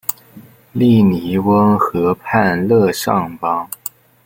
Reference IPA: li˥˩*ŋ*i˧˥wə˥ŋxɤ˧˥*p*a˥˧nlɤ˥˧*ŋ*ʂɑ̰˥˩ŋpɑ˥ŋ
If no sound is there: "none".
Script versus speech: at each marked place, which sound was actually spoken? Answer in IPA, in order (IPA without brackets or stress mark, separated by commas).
n, pʰ, none